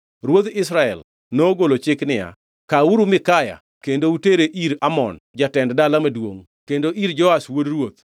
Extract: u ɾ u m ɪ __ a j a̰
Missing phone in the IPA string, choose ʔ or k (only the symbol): k